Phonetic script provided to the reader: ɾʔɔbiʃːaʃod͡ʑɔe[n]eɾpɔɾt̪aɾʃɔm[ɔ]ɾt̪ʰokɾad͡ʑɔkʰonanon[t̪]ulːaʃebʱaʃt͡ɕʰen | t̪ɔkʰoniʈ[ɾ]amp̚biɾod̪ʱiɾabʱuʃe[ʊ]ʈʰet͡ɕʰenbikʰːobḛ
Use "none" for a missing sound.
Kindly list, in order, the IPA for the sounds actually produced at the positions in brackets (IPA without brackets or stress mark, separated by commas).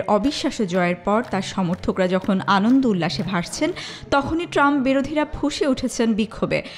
none, o, d̪, ɾ, u